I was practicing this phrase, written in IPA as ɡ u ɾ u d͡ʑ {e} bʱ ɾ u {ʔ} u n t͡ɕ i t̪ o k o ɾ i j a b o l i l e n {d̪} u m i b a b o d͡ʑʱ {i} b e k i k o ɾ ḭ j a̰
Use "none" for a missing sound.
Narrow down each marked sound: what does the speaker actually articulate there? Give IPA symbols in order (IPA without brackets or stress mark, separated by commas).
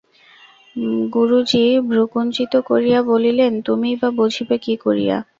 i, k, t̪, i